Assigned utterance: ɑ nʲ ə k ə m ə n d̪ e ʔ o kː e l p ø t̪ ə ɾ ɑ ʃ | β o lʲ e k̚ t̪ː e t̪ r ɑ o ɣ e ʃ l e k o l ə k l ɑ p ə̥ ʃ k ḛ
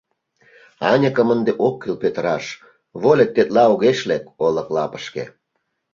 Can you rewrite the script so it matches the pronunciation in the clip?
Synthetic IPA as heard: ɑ nʲ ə k ə m ə n d̪ e ʔ o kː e l p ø t̪ ə ɾ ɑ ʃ | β o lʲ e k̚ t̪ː e t̪ l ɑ o ɣ e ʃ l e k o l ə k l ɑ p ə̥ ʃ k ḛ

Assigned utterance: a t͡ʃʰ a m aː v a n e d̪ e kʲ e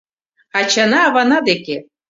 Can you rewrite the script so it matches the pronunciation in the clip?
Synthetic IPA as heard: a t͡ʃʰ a n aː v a n a d̪ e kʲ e

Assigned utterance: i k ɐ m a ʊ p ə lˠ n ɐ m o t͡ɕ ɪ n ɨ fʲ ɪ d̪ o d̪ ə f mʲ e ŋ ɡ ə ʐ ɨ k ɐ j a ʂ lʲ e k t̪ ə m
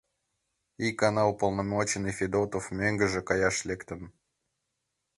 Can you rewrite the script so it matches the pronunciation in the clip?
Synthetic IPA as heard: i k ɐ n a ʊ p ə lˠ n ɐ m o t͡ɕ ɪ n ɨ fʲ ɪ d̪ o t̪ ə f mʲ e ŋ ɡ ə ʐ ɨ k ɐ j a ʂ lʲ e k t̪ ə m

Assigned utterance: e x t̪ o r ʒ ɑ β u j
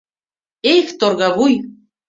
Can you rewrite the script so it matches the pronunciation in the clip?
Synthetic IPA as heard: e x t̪ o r ɣ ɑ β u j

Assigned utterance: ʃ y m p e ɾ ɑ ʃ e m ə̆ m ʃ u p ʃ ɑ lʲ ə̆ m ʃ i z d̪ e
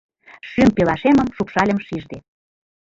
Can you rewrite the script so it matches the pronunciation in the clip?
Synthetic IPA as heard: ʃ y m p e l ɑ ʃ e m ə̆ m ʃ u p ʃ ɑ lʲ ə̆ m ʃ i ʒ d̪ e

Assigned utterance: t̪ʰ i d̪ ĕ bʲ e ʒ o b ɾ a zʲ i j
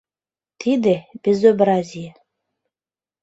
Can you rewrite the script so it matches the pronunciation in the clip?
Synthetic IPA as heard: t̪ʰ i d̪ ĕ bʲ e z o b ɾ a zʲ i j

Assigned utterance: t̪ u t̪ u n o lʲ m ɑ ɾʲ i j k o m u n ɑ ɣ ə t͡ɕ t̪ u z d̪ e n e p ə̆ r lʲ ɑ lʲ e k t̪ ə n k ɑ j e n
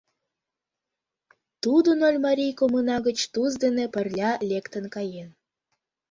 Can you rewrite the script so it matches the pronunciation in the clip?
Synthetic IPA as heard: t̪ u d̪ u n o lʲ m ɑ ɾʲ i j k o m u n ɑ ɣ ə t͡ɕ t̪ u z d̪ e n e p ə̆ r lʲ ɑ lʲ e k t̪ ə n k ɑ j e n

